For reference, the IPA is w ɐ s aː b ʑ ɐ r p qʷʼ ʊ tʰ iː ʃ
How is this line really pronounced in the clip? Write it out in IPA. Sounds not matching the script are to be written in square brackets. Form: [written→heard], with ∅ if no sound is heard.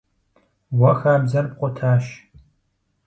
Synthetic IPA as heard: w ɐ [s→x] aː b [ʑ→z] ɐ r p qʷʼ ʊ tʰ [iː→aː] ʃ